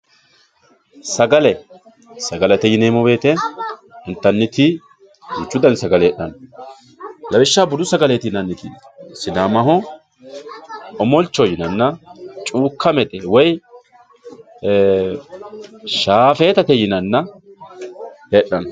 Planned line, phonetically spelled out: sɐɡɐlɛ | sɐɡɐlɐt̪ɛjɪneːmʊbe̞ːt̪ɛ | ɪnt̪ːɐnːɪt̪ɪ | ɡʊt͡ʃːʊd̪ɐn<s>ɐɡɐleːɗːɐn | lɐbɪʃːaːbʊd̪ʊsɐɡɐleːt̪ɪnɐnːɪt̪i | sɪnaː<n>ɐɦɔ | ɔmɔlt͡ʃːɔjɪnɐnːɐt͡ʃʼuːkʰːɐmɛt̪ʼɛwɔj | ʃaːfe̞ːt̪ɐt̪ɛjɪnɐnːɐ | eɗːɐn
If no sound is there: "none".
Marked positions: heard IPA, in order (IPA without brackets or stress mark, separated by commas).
s, m